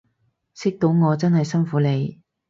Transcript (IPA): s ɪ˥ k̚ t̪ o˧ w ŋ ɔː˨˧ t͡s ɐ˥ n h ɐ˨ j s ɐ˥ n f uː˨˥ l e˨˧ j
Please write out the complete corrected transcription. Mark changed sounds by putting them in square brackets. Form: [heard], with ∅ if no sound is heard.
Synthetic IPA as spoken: s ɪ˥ k̚ t̪ [o˨˥] w ŋ ɔː˨˧ t͡s ɐ˥ n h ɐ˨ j s ɐ˥ n f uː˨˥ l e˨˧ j